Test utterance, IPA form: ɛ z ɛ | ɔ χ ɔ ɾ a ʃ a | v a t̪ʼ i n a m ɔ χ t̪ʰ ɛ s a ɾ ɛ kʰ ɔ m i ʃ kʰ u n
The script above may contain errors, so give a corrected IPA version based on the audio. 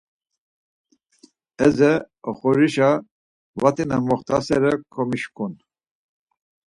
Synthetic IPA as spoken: ɛ z ɛ | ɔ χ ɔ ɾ i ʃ a | v a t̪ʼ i n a m ɔ χ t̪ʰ a s ɛ ɾ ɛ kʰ ɔ m i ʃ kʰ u n